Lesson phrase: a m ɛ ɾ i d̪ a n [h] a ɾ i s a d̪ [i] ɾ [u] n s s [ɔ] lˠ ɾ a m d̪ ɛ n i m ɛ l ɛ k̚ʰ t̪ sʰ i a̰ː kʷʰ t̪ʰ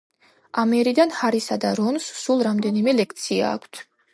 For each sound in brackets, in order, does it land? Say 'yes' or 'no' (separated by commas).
yes, no, no, no